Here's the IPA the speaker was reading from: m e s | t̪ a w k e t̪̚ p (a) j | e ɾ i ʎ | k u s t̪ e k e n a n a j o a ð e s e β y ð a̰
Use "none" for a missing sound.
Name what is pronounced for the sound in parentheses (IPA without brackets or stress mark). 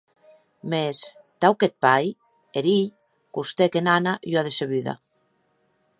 a